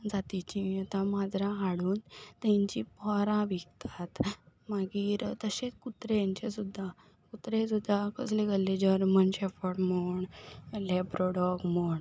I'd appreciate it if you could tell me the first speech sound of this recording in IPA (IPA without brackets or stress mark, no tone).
d͡z